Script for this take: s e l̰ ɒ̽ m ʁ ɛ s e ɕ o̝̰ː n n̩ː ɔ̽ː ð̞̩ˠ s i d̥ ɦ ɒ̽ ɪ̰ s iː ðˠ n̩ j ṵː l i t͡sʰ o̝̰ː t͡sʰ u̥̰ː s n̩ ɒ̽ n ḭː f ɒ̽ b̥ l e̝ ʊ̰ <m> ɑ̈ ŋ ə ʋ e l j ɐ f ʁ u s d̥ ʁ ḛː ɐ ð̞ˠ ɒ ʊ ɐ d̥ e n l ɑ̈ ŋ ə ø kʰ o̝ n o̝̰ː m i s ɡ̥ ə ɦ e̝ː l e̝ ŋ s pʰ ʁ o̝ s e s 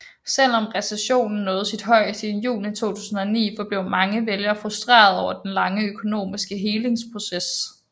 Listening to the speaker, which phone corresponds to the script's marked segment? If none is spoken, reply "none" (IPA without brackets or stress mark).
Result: m